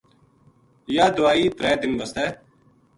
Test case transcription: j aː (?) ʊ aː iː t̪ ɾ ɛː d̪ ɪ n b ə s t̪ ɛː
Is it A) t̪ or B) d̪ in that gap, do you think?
B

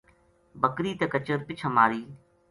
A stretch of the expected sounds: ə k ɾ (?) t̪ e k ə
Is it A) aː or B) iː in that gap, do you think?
B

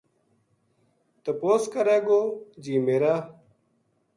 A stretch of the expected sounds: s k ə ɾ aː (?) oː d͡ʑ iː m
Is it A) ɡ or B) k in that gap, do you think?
A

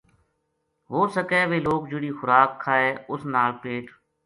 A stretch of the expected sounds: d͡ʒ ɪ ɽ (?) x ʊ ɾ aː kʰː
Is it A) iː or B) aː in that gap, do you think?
A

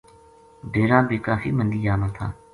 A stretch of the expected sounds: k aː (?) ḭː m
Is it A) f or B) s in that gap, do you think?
A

